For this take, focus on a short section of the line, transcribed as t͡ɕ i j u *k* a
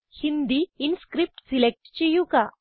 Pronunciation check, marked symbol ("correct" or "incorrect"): correct